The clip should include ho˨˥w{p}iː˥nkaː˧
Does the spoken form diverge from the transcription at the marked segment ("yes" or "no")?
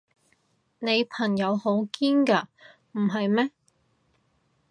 yes